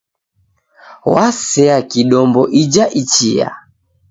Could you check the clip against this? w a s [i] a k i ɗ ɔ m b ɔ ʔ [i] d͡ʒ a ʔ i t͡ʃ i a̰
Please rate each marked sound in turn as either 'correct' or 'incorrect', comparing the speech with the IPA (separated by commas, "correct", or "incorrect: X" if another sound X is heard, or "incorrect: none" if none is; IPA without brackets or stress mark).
incorrect: ɛ, correct